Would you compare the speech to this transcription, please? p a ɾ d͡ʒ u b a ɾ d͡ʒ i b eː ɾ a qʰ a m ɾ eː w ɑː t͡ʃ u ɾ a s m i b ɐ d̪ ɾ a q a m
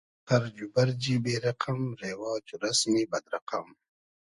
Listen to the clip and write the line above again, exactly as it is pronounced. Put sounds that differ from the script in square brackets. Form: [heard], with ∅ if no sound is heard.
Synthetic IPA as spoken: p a ɾ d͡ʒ u b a ɾ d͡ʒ i b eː ɾ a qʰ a m ɾ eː w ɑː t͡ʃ u ɾ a s m i b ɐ d̪ ɾ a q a m